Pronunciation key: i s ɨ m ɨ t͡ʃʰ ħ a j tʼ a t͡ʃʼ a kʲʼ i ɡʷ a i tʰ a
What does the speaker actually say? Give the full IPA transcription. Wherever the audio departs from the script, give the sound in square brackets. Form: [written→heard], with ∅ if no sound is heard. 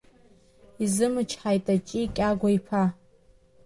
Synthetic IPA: i [s→z] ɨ m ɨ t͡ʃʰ ħ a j tʼ a t͡ʃʼ [a→i] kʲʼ [i→a] ɡʷ a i [tʰ→pʰ] a